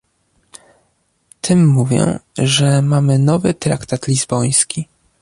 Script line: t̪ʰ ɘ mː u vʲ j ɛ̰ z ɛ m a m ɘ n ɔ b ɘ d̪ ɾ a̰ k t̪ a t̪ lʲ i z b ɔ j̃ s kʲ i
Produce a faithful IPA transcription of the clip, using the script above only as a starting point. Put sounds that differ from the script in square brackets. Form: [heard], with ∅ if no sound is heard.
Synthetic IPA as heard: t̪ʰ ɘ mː u vʲ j ɛ̰ [ʐ] ɛ m a m ɘ n ɔ [v] ɘ [t̪] ɾ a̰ k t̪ a t̪ lʲ i z b ɔ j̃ s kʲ i